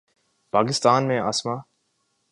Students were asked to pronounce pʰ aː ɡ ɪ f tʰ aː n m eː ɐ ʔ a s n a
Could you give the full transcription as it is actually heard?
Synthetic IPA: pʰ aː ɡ ɪ s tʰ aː n m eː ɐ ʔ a s m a